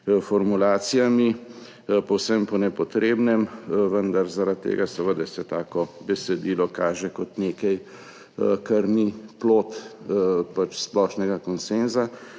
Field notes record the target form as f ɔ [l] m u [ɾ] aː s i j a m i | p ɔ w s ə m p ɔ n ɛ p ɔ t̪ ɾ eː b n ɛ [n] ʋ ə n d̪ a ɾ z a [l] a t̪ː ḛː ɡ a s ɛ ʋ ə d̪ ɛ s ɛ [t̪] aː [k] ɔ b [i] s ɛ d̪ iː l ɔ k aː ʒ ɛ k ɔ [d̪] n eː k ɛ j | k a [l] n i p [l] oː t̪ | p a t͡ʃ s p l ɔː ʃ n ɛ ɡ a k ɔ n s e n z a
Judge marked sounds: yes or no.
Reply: no, no, no, no, yes, yes, no, no, no, yes

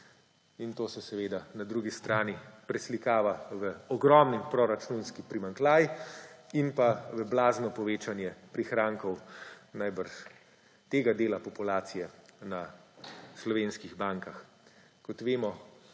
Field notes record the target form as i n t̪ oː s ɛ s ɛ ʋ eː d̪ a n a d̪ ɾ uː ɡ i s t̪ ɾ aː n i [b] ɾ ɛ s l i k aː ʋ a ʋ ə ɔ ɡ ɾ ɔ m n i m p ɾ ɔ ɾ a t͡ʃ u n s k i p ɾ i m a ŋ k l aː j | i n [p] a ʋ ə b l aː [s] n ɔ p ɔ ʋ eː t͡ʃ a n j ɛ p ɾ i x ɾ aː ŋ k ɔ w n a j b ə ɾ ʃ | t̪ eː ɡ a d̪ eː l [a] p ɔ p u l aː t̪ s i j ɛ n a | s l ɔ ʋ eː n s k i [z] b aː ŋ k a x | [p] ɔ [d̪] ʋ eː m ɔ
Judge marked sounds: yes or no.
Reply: no, yes, no, yes, no, no, no

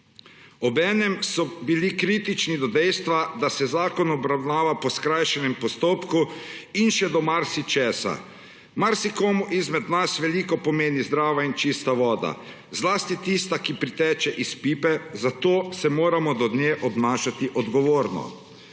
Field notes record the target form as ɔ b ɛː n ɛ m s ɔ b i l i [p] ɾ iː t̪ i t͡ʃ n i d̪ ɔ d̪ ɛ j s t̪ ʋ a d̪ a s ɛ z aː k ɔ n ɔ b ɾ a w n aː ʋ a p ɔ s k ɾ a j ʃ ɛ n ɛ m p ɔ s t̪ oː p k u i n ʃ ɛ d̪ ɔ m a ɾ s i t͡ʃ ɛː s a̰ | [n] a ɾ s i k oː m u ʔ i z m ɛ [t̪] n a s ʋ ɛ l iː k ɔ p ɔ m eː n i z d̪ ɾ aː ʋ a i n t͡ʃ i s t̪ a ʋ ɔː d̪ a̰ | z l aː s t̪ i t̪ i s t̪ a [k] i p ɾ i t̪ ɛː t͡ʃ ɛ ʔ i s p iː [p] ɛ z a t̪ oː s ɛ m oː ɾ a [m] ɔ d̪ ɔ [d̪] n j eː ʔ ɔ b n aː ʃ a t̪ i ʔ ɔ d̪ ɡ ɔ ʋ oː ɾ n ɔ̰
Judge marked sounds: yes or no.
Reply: no, no, no, yes, yes, yes, yes

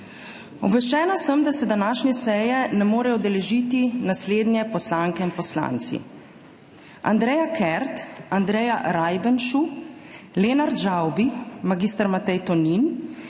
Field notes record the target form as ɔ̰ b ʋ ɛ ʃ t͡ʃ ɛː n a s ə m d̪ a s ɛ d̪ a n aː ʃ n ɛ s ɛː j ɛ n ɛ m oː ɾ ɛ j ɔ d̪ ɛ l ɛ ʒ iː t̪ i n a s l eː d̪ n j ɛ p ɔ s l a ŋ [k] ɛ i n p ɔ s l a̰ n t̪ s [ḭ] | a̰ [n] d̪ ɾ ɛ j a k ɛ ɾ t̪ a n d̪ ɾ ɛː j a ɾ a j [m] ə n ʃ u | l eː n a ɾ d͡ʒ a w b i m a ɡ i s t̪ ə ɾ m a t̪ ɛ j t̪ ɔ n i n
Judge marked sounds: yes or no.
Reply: yes, yes, yes, no

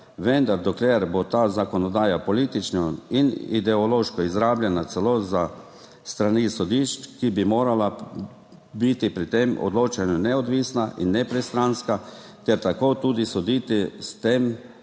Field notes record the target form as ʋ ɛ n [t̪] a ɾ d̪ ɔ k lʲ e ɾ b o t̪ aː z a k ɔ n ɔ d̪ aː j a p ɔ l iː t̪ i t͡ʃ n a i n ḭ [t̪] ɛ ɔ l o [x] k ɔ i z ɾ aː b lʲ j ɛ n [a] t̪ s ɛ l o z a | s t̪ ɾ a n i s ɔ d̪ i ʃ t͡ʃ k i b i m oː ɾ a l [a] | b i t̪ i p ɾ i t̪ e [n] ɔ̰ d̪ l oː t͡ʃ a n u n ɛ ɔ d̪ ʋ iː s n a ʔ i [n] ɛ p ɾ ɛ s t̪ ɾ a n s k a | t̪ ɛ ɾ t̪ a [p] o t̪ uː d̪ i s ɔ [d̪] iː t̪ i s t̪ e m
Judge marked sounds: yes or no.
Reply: no, no, no, yes, yes, no, no, no, yes

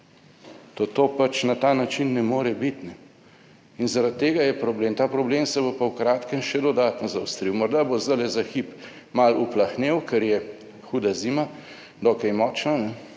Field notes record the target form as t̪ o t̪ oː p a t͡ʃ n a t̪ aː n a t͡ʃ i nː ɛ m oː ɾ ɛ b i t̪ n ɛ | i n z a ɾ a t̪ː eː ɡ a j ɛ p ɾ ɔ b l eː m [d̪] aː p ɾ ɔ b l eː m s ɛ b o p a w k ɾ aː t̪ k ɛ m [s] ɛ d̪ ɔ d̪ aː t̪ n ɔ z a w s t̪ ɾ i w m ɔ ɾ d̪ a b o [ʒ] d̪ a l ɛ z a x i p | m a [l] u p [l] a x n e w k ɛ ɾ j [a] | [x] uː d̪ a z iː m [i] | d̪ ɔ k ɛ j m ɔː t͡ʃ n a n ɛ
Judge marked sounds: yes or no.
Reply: no, no, no, yes, yes, no, yes, no

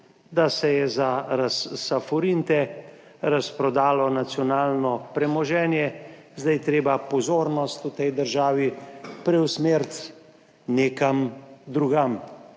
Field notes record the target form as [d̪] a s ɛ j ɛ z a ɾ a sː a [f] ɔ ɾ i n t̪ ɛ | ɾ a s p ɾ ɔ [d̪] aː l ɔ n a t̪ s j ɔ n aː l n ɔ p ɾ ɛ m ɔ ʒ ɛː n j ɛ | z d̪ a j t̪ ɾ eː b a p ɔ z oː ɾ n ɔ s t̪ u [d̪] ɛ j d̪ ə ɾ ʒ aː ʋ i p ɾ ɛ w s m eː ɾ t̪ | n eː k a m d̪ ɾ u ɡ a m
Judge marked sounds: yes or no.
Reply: yes, yes, yes, no

